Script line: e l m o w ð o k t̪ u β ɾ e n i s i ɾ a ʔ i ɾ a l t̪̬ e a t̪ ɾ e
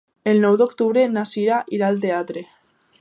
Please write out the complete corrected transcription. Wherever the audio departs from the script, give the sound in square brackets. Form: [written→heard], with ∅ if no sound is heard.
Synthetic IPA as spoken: e l [m→n] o w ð o k t̪ u β ɾ e n [i→a] s i ɾ a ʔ i ɾ a l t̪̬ e a t̪ ɾ e